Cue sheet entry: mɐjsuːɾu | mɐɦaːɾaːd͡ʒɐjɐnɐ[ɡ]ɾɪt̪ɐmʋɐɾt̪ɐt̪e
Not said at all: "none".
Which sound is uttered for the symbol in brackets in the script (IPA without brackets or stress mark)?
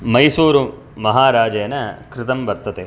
k